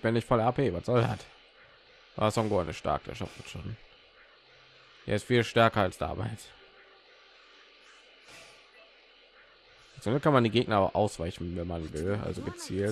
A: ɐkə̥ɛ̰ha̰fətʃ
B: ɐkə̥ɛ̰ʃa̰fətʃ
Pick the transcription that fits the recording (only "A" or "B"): B